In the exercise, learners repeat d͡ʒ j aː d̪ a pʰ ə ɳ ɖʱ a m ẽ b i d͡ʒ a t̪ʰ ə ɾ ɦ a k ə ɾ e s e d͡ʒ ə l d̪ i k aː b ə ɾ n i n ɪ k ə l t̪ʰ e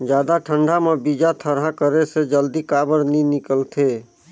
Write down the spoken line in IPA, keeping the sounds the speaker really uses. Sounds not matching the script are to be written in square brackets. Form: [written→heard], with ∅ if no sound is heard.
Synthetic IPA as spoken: d͡ʒ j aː d̪ a [pʰ→ʈʰ] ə ɳ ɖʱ a m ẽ b i d͡ʒ a t̪ʰ ə ɾ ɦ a k ə ɾ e s e d͡ʒ ə l d̪ i k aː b ə ɾ n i n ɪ k ə l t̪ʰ e